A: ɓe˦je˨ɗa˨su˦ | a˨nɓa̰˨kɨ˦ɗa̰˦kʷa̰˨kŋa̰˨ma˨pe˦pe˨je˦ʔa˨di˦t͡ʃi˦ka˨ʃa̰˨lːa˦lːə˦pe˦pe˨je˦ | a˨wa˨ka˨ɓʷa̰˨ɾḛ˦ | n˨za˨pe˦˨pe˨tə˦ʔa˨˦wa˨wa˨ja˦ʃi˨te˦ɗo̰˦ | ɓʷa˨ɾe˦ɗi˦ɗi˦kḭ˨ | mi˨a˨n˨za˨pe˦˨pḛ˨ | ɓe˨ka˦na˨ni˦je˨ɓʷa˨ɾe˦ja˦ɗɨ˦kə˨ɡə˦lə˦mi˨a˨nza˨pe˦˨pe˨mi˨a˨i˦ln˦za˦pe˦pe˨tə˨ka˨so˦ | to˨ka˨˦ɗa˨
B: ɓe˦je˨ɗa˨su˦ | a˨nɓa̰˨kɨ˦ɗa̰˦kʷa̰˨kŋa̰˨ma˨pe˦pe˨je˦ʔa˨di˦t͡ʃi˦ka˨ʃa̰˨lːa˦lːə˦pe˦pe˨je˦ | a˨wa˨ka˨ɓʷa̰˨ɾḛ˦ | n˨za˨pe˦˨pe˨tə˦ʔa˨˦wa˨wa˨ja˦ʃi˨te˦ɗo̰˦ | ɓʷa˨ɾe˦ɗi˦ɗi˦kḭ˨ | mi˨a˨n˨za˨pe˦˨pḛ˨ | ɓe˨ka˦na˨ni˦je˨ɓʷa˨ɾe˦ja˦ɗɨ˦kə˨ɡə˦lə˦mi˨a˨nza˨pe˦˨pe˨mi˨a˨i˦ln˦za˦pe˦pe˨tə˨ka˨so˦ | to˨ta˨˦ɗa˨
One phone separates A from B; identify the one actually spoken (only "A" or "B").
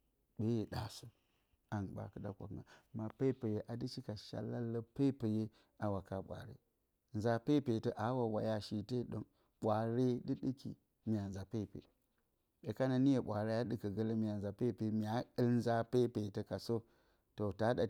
B